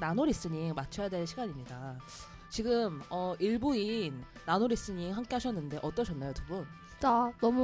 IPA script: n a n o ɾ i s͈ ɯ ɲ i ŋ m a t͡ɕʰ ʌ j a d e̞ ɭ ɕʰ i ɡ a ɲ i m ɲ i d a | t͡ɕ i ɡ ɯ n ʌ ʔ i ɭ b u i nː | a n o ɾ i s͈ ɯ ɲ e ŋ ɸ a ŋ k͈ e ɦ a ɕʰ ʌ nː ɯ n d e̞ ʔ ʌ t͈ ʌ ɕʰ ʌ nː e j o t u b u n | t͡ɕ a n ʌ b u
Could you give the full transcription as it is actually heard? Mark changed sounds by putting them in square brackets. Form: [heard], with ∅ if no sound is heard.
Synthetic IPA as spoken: n a n o ɾ i s͈ ɯ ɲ i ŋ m a t͡ɕʰ ʌ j a d e̞ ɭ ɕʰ i ɡ a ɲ i m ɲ i d a | t͡ɕ i ɡ ɯ [m] ʌ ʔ i ɭ b u i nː | a n o ɾ i s͈ ɯ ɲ [i] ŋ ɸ a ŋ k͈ e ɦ a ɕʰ ʌ nː ɯ n d e̞ ʔ ʌ t͈ ʌ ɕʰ ʌ nː [a] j o t u b u n | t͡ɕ a n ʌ [m] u